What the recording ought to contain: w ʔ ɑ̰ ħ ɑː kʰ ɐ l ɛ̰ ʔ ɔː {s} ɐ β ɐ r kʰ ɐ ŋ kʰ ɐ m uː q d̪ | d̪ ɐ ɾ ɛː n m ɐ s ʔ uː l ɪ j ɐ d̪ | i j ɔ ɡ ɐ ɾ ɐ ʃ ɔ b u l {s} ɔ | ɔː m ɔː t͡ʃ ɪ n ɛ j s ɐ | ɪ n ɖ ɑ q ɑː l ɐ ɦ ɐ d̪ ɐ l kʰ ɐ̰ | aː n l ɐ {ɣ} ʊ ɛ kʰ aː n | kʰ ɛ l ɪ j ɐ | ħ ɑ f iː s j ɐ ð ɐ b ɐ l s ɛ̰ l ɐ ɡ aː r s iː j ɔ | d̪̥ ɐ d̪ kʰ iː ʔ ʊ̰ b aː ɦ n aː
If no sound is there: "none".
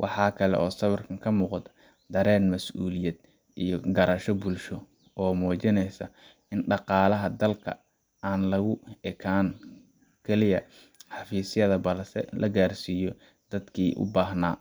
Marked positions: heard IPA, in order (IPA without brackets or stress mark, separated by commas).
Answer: s, ʃ, ɣ